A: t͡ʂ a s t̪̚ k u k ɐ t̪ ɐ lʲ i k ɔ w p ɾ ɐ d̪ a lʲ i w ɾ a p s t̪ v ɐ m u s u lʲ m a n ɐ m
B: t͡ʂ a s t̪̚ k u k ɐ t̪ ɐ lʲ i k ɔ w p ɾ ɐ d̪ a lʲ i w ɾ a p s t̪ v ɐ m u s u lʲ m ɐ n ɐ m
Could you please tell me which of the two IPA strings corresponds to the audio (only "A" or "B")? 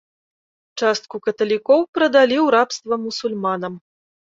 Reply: A